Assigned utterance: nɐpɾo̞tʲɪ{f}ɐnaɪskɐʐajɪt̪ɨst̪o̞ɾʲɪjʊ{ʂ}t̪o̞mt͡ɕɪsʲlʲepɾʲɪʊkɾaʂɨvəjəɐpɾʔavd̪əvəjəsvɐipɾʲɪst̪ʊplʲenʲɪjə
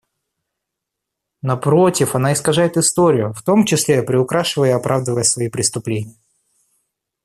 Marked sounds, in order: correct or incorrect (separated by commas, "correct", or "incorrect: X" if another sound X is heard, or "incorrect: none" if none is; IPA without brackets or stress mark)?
correct, incorrect: f